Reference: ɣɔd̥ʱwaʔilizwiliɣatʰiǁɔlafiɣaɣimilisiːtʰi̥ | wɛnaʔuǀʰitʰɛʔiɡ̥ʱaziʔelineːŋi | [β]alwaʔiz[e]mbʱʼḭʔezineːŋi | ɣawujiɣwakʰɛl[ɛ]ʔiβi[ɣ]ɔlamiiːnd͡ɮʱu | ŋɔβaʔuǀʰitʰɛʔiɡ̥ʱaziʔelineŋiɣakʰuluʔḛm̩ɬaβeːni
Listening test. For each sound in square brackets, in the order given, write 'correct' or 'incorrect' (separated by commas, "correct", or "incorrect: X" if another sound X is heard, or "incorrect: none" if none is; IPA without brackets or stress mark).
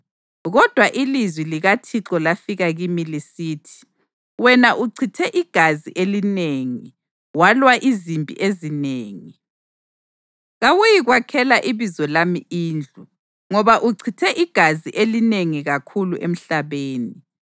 incorrect: w, incorrect: i, incorrect: a, incorrect: z